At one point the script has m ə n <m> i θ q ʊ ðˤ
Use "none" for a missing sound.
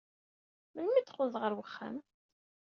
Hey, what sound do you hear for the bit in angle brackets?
m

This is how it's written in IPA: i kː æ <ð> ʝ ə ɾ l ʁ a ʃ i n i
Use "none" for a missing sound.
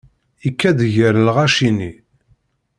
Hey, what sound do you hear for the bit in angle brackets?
ð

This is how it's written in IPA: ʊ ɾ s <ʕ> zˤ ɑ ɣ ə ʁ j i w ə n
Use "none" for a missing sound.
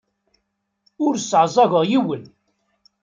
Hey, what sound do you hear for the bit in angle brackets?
ʕ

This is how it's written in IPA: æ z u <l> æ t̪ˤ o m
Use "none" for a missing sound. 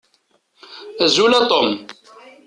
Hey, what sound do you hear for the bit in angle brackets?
l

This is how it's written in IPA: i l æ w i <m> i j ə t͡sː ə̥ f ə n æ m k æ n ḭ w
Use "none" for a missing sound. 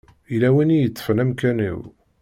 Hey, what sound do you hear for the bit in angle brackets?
n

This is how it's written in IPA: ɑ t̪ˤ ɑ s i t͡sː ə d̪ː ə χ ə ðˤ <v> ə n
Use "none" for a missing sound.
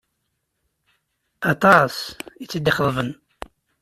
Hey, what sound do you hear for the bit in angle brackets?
v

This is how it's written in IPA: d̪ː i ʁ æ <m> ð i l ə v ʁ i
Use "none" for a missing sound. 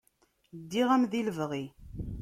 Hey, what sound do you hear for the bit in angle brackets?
m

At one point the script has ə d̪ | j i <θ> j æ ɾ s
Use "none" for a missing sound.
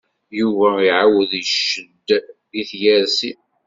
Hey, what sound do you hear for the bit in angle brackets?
θ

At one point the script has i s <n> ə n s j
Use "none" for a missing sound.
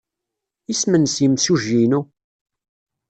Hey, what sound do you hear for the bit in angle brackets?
m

